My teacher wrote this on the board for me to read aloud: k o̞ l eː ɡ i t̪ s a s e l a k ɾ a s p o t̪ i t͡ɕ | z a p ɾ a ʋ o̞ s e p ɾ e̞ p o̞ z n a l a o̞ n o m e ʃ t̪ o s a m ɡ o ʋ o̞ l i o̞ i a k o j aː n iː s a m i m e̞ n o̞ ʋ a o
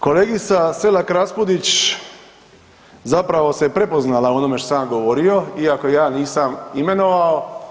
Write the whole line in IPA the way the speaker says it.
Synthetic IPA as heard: k o̞ l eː ɡ i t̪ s a s e l a k ɾ a s p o d̪ i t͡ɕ | z a p ɾ a ʋ o̞ s e p ɾ e̞ p o̞ z n a l a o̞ n o m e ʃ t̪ o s a m ɡ o ʋ o̞ ɾ i o̞ i a k o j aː n iː s a m i m e̞ n o̞ ʋ a o